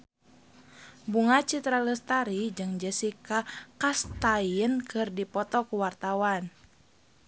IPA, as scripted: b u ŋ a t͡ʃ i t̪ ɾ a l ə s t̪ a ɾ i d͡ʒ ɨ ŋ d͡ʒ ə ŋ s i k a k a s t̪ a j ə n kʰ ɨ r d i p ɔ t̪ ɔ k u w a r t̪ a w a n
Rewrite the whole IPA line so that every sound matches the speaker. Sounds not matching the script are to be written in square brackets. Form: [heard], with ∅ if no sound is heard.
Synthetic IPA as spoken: b u ŋ a t͡ʃ i t̪ ɾ a l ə s t̪ a ɾ i d͡ʒ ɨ ŋ d͡ʒ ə [∅] s i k a k a s t̪ a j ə n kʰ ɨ r d i p ɔ t̪ ɔ k u w a r t̪ a w a n